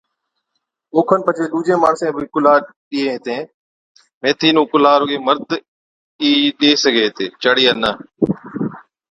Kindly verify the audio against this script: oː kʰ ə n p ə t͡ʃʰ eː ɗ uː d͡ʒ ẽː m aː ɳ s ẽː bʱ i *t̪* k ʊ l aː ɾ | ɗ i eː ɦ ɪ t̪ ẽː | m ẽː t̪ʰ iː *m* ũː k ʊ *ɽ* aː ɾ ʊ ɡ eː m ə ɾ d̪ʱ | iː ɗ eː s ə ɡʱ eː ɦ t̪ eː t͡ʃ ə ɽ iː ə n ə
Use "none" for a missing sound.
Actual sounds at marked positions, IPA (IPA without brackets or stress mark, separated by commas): none, n, l